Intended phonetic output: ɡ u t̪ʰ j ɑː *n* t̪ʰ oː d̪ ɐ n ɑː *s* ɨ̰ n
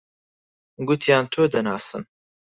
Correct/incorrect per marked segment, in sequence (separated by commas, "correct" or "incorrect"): correct, correct